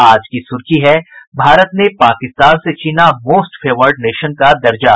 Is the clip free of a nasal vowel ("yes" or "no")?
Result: yes